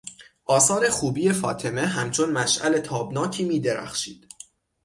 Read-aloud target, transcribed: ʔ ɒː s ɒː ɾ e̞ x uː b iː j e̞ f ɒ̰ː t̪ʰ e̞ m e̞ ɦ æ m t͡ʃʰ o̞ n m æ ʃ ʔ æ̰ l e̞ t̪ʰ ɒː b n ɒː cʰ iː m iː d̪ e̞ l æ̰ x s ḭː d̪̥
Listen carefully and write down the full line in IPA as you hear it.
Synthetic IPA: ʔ ɒː s ɒː ɾ e̞ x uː b iː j e̞ f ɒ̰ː t̪ʰ e̞ m e̞ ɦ æ m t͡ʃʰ o̞ n m æ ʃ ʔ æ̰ l e̞ t̪ʰ ɒː b n ɒː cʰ iː m iː d̪ e̞ ɾ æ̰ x ʃ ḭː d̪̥